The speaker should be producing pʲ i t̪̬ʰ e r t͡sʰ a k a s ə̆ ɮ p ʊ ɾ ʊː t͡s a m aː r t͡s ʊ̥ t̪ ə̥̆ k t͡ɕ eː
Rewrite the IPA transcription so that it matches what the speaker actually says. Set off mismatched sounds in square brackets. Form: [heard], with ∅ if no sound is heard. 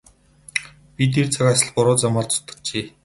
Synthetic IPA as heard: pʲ i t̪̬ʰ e r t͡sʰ a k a s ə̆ ɮ p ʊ ɾ ʊː t͡s a m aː r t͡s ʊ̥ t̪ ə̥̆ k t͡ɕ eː